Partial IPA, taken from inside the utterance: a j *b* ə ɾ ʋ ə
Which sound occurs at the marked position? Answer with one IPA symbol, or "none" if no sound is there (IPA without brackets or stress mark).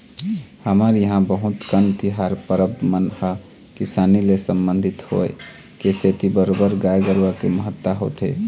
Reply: ɡ